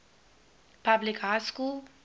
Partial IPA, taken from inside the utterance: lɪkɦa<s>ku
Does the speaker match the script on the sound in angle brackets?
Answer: yes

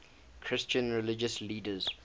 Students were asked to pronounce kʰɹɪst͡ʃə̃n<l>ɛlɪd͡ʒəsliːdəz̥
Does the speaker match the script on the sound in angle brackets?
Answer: no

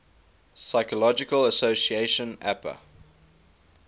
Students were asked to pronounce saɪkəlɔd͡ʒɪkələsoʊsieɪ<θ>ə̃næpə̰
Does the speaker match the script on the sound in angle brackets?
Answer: no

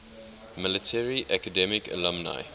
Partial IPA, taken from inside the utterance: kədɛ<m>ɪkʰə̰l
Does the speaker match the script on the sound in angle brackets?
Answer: yes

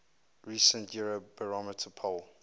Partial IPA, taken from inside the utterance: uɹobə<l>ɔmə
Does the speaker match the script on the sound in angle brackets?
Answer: no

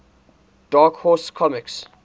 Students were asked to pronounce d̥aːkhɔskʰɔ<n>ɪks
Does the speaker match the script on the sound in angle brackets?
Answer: no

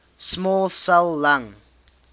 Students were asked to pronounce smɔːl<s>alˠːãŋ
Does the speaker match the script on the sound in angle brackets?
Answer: yes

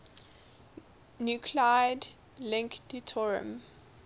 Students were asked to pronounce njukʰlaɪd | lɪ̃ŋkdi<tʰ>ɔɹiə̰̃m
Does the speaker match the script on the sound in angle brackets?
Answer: yes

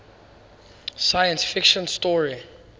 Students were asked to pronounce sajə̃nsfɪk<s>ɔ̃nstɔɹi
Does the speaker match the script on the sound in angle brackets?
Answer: no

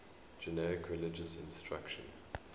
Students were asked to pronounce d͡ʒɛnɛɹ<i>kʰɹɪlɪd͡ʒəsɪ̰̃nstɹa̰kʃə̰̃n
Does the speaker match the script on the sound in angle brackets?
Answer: no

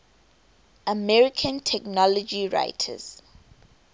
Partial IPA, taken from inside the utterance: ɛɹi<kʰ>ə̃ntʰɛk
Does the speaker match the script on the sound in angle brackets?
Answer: yes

